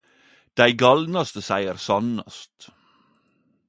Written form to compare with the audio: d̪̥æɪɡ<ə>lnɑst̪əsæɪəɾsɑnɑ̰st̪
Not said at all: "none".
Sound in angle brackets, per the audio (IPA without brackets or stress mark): ɑ